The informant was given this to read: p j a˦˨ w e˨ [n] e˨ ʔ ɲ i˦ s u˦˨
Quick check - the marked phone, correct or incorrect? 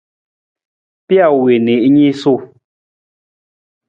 correct